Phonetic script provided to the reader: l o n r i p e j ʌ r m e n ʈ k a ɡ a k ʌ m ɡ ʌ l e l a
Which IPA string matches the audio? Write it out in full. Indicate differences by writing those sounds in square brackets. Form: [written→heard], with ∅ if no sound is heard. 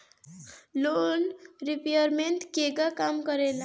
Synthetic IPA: l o n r i p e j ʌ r m e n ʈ k [a→e] ɡ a k [ʌ→a] m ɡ ʌ [l→ɾ] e l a